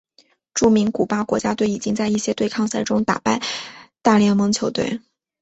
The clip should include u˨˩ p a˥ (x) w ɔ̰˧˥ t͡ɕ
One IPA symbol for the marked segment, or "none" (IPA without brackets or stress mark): k